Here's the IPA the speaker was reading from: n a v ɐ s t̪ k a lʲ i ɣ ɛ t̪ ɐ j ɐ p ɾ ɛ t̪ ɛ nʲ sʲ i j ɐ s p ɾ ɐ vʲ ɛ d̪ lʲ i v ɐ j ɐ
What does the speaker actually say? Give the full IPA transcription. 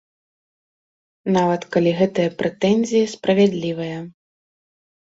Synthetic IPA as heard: n a v ɐ t̪ k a lʲ i ɣ ɛ t̪ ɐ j ɐ p ɾ ɛ t̪ ɛ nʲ zʲ i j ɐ s p ɾ ɐ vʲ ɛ d̪ lʲ i v ɐ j ɐ